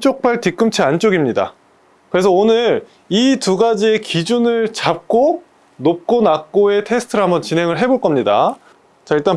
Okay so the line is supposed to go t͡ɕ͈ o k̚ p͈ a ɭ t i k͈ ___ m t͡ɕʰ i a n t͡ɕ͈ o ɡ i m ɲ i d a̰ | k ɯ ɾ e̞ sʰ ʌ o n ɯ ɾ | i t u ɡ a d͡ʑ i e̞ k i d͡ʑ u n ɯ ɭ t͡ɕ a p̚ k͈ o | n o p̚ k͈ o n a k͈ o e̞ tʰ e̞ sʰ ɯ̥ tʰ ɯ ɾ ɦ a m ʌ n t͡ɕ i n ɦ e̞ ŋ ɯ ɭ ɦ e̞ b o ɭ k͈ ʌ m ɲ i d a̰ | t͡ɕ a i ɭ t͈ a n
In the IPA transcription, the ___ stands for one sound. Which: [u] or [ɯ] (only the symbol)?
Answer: ɯ